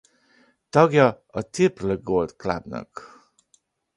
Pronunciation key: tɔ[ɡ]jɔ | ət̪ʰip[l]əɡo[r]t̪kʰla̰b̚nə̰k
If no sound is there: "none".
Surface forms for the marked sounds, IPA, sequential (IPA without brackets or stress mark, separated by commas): ɡ, l, l